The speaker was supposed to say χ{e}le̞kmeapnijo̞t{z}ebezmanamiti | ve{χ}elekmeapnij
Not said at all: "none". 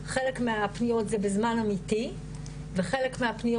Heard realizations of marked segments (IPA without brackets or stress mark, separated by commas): e, z, χ